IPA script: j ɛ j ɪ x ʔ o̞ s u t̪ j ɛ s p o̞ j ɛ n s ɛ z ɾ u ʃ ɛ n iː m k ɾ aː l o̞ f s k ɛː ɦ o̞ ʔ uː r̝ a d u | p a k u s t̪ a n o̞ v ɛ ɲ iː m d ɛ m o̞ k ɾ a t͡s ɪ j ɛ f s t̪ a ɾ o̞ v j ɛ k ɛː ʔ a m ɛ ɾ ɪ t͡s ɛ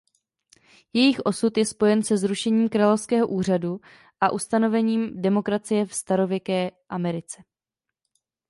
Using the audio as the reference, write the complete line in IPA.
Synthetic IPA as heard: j ɛ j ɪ x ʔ o̞ s u t̪ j ɛ s p o̞ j ɛ n s ɛ z ɾ u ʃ ɛ ɲ iː m k ɾ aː l o̞ f s k ɛː ɦ o̞ ʔ uː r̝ a d u | ʔ a ʔ u s t̪ a n o̞ v ɛ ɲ iː m d ɛ m o̞ k ɾ a t͡s ɪ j ɛ f s t̪ a ɾ o̞ v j ɛ k ɛː ʔ a m ɛ ɾ ɪ t͡s ɛ